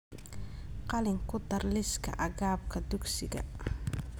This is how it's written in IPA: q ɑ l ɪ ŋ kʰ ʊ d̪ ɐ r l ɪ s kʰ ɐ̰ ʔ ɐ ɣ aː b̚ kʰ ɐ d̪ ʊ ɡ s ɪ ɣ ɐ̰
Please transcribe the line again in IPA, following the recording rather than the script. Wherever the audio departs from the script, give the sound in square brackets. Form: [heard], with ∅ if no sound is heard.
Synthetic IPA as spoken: q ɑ l ɪ ŋ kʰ ʊ d̪ ɐ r l ɪ s kʰ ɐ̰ ʔ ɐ ɣ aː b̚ kʰ ɐ d̪ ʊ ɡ s ɪ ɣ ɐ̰